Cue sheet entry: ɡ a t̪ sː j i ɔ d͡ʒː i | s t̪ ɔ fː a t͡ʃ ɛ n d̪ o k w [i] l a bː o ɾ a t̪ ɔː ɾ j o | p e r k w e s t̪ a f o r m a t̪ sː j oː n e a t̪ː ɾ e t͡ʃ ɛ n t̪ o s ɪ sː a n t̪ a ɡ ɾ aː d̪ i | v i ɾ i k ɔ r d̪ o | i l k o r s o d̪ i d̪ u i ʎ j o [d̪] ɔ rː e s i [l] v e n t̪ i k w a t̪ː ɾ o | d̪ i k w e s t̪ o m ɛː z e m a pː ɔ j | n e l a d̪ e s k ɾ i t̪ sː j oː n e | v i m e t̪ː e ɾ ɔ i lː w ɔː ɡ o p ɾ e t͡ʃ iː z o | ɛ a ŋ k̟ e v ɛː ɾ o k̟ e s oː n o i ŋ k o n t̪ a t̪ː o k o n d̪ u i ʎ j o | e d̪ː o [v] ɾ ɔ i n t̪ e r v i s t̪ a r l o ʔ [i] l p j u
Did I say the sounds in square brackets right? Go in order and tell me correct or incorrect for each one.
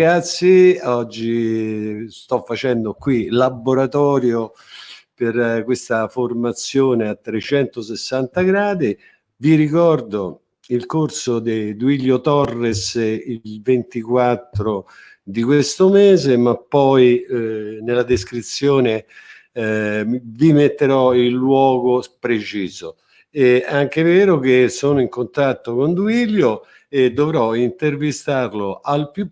correct, incorrect: t̪, correct, correct, incorrect: a

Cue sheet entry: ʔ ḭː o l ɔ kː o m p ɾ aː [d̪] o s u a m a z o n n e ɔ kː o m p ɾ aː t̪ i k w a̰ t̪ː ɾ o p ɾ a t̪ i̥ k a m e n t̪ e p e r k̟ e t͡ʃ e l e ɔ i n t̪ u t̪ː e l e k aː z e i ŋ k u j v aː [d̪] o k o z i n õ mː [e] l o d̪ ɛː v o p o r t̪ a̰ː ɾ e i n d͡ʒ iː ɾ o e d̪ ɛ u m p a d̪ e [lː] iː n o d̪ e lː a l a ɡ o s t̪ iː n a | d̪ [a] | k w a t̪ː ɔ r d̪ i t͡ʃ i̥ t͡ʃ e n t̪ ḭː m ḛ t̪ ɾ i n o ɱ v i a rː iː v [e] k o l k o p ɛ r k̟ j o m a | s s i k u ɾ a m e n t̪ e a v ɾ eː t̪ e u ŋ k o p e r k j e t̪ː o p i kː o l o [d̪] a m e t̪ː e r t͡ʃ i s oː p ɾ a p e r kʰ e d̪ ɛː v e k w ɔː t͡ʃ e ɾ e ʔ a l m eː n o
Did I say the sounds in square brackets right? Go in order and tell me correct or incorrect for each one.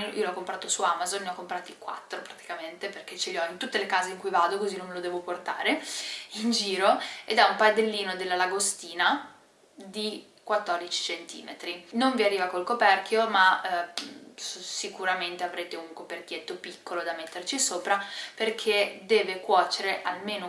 incorrect: t̪, correct, correct, correct, incorrect: i, incorrect: a, correct

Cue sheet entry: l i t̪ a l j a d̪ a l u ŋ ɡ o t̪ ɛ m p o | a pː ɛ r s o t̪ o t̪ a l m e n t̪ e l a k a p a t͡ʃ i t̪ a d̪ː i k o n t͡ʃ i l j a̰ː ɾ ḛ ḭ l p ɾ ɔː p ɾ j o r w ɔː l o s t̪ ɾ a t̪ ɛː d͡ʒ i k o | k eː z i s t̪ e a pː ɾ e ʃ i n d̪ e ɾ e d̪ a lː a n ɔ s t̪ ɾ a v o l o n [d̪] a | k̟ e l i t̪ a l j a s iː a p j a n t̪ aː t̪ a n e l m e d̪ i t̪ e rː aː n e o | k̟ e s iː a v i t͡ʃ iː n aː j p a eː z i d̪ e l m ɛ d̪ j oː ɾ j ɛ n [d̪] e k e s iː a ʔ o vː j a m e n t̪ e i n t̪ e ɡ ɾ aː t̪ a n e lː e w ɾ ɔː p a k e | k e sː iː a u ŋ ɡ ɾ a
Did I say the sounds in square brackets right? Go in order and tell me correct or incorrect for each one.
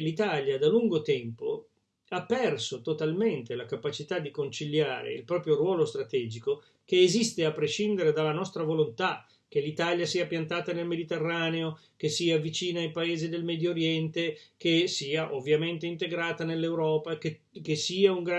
incorrect: t̪, incorrect: t̪

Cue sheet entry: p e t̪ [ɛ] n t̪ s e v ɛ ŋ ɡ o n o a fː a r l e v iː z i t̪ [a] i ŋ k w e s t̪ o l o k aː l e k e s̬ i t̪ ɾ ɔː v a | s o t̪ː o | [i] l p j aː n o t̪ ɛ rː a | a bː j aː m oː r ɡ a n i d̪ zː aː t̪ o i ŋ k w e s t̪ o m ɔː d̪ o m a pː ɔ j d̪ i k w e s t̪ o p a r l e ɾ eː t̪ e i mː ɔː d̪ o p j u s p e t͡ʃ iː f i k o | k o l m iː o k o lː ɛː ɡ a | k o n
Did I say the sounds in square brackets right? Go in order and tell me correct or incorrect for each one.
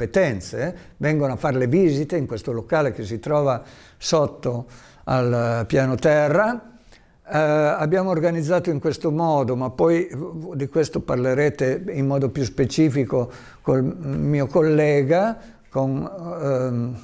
correct, incorrect: e, incorrect: a

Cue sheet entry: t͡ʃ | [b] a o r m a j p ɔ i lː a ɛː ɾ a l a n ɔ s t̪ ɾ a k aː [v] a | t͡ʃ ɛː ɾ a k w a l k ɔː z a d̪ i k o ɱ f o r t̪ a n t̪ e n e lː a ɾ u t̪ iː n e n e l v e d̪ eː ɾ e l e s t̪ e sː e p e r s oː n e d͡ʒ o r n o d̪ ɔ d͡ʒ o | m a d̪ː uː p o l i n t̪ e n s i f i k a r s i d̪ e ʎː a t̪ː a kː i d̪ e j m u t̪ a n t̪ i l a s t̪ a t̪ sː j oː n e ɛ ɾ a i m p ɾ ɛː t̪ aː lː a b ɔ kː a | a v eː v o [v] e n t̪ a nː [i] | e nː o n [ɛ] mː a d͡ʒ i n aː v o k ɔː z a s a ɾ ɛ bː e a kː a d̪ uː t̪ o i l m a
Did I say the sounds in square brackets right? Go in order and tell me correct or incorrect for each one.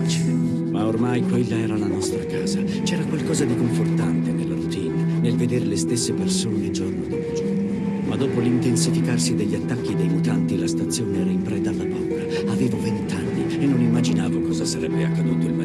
incorrect: m, incorrect: z, correct, correct, incorrect: i

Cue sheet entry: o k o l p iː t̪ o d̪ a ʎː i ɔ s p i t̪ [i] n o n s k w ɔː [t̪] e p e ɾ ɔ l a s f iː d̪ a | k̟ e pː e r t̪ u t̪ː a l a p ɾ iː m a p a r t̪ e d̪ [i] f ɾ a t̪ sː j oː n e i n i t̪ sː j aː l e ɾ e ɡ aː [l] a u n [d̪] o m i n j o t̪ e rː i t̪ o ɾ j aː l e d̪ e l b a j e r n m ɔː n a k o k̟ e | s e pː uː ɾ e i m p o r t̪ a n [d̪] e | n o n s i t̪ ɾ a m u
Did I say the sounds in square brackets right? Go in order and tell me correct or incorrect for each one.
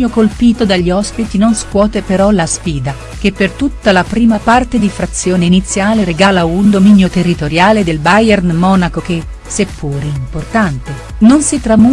correct, correct, correct, correct, correct, incorrect: t̪

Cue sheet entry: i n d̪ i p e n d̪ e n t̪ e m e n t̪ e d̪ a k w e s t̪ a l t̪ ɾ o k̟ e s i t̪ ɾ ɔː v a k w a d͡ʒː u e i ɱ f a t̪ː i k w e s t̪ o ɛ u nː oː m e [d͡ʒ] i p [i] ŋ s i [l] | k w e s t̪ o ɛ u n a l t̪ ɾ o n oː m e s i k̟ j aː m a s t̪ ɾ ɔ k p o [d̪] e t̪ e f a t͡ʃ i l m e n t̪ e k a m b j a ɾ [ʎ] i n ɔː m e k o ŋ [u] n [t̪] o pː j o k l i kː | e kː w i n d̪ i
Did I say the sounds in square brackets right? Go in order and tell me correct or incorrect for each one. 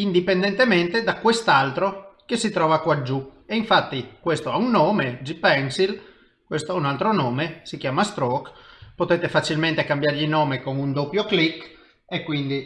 correct, incorrect: ɛ, correct, incorrect: t̪, correct, correct, incorrect: d̪

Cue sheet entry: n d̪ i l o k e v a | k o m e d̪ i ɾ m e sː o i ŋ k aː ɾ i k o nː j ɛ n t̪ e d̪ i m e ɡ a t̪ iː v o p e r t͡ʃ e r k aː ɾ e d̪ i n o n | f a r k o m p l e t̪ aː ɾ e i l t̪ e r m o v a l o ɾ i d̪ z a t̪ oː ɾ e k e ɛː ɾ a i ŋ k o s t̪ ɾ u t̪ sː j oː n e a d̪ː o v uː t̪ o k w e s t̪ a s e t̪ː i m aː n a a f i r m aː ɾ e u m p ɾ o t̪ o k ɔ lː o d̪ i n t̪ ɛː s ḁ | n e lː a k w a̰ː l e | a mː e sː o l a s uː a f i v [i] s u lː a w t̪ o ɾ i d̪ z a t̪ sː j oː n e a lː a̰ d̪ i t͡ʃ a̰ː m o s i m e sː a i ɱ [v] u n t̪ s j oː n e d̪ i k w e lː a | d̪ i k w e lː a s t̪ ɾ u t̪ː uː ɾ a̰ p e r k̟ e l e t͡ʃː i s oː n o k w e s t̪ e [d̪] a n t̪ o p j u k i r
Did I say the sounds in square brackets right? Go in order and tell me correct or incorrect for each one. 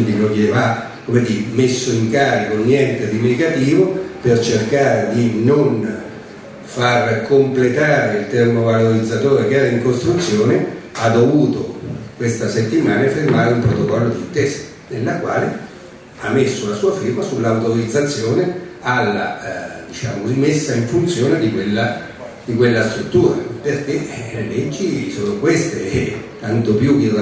incorrect: a, incorrect: f, incorrect: t̪

